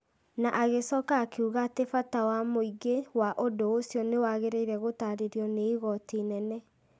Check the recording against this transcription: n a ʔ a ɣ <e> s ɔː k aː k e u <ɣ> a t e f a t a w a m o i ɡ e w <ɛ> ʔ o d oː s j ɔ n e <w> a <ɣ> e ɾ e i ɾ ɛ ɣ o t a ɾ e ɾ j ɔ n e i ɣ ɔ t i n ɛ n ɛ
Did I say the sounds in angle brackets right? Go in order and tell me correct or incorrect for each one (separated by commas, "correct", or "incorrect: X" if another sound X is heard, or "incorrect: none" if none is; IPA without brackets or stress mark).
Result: correct, correct, incorrect: a, correct, correct